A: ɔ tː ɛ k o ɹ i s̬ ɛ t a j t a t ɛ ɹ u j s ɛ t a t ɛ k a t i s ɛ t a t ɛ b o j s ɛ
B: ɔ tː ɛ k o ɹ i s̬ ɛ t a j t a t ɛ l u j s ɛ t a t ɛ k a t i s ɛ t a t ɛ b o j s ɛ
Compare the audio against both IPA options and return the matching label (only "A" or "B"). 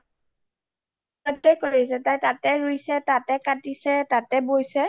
A